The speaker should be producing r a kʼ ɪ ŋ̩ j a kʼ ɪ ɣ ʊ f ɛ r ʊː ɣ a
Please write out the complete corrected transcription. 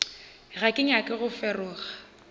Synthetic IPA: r a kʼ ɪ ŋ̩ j a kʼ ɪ ɣ ʊ f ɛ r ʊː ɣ a